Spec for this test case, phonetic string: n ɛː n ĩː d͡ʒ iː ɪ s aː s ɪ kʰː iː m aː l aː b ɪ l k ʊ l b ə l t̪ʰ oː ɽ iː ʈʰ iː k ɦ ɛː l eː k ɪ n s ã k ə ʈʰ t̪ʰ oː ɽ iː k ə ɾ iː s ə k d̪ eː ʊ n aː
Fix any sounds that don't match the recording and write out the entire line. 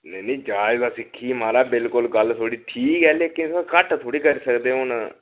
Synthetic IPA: n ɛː n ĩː d͡ʒ aː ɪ z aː s ɪ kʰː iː m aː ɾ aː b ɪ l k ʊ l ɡ ə l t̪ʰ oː ɽ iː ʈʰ iː k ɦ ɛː l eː k ɪ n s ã k ə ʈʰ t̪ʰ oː ɽ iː k ə ɾ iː s ə k d̪ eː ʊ n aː